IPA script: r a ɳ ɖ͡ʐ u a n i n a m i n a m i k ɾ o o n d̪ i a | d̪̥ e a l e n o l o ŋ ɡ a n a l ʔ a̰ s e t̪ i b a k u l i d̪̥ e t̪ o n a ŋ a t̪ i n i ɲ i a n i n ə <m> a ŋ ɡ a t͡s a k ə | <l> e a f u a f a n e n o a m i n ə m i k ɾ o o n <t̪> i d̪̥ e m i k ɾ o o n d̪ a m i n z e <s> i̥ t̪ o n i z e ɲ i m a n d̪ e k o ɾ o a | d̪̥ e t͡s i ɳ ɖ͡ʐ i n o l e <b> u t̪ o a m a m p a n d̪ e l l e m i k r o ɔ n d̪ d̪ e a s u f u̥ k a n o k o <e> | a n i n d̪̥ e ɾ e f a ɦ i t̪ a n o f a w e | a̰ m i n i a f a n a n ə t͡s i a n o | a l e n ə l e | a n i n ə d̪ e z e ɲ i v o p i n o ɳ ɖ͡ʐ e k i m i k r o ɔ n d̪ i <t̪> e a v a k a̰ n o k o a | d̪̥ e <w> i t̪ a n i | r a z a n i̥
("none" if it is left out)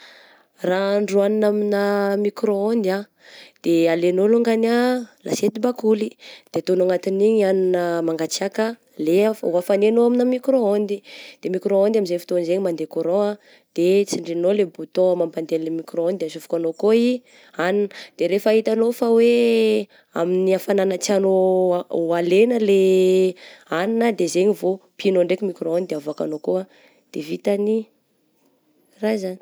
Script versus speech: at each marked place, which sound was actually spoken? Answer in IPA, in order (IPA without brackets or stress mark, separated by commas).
m, l, d̪, f, b, i, d̪, v